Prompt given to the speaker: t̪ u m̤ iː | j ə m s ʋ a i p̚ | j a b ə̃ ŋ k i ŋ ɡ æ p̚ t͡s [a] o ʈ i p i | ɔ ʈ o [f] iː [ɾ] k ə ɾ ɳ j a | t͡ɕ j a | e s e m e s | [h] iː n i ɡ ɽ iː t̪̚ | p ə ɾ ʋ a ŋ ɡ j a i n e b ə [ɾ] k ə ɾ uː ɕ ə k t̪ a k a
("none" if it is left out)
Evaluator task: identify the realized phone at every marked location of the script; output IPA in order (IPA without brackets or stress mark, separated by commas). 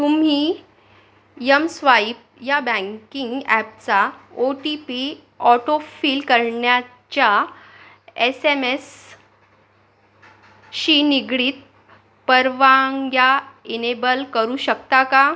a, f, l, ɕ, l